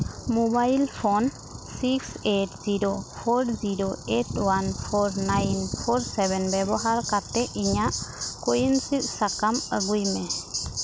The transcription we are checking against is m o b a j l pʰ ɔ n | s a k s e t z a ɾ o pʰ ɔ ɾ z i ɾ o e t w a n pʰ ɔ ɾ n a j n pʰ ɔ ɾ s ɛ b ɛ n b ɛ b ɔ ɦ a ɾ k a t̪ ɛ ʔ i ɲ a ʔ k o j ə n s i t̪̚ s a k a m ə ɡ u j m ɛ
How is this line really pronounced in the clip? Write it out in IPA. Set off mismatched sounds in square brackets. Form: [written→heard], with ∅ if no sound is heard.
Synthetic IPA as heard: m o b a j l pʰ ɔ n | s [a→i] k s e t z [a→i] ɾ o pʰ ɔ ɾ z i ɾ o e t w a n pʰ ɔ ɾ n a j n pʰ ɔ ɾ s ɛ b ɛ n b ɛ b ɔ ɦ a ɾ k a t̪ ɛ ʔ i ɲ a ʔ k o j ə n s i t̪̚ s a k a m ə ɡ u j m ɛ